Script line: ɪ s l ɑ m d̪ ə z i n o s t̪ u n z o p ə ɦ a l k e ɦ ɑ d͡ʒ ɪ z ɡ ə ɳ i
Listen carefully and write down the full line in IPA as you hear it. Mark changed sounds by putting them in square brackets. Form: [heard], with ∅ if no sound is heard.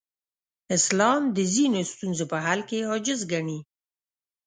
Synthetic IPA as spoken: ɪ s l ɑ m d̪ ə z i n o s t̪ u n z o p ə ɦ a l k e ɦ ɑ d͡ʒ ɪ z ɡ [a] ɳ i